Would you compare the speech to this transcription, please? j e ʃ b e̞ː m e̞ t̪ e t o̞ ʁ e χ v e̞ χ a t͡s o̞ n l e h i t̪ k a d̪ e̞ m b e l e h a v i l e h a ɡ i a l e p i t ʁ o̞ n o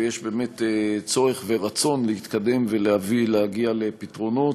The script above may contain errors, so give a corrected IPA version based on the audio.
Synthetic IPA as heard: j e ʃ b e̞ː m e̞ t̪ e t͡s o̞ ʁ e χ v e̞ ʁ a t͡s o̞ n l e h i t̪ k a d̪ e̞ m v e l e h a v i l e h a ɡ i a l e p i t ʁ o̞ n o